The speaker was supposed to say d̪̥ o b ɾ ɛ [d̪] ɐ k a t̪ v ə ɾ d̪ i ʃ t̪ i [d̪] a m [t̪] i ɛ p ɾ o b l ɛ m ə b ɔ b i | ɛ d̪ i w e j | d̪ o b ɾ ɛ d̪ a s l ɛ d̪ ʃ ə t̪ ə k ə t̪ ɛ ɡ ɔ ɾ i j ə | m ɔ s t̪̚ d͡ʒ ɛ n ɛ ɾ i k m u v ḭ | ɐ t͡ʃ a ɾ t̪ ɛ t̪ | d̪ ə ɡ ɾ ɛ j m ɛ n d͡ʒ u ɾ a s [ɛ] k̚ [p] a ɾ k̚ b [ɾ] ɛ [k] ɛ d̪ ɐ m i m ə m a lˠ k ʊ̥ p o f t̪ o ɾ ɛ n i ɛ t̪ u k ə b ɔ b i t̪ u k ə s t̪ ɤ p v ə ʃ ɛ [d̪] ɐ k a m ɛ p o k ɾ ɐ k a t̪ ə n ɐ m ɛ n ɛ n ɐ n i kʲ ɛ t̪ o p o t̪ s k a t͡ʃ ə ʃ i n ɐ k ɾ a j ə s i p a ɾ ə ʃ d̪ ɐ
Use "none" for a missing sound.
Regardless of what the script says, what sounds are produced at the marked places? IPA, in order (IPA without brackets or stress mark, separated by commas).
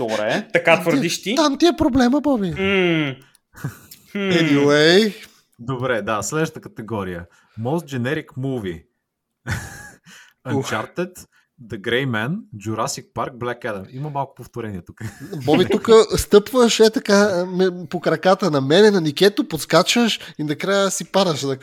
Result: t̪, t̪, t̪, i, p, l, k, t̪